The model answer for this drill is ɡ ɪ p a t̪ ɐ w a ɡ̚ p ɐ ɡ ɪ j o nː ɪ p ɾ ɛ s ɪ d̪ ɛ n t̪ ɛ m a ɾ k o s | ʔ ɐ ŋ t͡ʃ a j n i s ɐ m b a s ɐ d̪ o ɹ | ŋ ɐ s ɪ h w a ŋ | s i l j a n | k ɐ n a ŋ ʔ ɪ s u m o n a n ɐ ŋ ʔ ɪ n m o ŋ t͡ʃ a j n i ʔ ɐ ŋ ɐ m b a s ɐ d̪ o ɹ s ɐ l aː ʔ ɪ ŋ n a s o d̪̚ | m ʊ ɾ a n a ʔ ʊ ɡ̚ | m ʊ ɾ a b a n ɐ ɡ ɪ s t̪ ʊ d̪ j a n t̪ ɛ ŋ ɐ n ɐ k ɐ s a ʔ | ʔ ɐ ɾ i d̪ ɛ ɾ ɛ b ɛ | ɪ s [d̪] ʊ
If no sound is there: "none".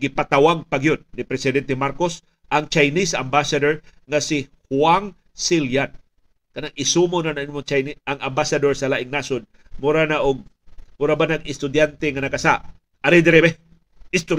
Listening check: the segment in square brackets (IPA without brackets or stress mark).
t̪